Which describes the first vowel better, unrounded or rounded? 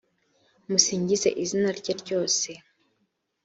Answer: rounded